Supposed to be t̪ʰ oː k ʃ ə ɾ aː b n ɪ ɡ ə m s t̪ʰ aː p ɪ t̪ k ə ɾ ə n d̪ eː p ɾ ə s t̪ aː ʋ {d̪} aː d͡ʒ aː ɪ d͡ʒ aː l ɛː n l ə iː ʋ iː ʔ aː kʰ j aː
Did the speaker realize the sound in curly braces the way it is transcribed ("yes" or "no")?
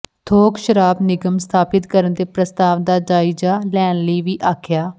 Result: yes